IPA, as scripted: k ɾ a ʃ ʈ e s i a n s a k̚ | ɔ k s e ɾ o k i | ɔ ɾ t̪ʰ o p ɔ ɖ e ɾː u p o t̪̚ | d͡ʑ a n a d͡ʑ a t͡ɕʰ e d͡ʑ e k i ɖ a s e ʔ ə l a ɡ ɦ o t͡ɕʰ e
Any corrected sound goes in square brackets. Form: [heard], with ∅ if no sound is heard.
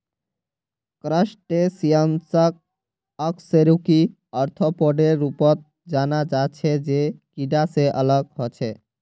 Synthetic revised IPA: k ɾ a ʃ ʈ e s i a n s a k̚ | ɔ k s e ɾ [u] k i | ɔ ɾ t̪ʰ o p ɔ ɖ e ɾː u p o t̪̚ | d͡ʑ a n a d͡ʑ a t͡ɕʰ e d͡ʑ e k i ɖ a s e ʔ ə l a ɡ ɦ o t͡ɕʰ e